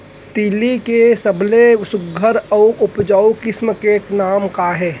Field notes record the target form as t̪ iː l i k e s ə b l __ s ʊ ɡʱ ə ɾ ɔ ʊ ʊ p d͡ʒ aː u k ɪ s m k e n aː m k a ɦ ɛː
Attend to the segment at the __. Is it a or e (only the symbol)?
e